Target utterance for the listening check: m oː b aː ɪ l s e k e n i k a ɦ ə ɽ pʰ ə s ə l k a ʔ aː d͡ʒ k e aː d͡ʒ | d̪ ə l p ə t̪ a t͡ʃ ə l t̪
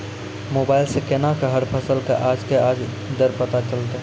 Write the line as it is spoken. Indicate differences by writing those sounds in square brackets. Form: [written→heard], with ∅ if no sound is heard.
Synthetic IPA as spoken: m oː b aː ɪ l s e k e n [i→a] k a ɦ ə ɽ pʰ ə s ə l k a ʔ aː d͡ʒ k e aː d͡ʒ | d̪ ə [l→ɾ] p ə t̪ a t͡ʃ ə l t̪